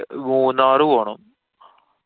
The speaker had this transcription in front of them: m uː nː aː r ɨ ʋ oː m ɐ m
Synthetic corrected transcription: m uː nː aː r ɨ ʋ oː ɳ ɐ m

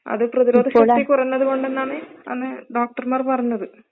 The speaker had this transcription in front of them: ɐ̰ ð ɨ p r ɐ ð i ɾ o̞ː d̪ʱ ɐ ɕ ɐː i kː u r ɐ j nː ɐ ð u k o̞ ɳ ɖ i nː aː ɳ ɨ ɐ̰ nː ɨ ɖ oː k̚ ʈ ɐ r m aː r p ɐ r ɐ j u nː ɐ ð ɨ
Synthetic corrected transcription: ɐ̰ ð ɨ p r ɐ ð i ɾ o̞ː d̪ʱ ɐ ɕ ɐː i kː u r ɐ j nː ɐ ð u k o̞ ɳ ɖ e nː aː ɳ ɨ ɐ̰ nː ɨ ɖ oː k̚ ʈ ɐ r m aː r p ɐ r ɐ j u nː ɐ ð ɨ

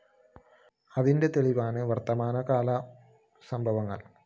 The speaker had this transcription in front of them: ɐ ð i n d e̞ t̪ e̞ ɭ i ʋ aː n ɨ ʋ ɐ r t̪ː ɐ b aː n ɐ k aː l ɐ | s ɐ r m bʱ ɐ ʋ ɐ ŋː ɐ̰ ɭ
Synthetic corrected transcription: ɐ ð i n d e̞ t̪ e̞ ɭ i ʋ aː n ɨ ʋ ɐ r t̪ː ɐ m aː n ɐ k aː l ɐ | s ɐ m bʱ ɐ ʋ ɐ ŋː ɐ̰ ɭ

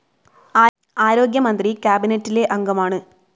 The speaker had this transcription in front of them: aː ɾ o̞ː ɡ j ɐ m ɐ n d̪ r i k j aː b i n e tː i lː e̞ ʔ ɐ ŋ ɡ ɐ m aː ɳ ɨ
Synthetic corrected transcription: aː ɾ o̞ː ɡ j ɐ m ɐ n d̪ r i k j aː b i n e tː i l e̞ ʔ ɐ ŋ ɡ ɐ m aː ɳ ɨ

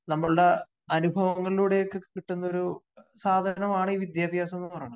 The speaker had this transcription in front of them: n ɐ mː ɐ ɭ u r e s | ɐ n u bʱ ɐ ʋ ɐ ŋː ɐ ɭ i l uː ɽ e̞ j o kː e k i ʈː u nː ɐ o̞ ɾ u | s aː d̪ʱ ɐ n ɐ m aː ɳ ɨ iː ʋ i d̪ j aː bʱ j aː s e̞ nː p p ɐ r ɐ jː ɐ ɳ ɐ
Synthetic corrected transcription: n ɐ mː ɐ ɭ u ɽ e | ɐ n u bʱ ɐ ʋ ɐ ŋː ɐ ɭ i l uː ɽ e̞ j o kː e k i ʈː u nː ɐ o̞ ɾ u | s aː d̪ʱ ɐ n ɐ m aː ɳ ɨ iː ʋ i d̪ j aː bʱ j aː s e̞ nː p p ɐ r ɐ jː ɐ ɳ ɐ

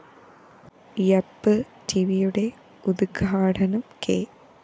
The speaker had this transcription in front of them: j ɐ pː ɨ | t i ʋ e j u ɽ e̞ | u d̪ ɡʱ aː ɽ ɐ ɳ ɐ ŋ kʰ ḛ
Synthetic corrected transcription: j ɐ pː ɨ | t i ʋ i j u ɽ e̞ | u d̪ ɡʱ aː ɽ ɐ n ɐ m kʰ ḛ

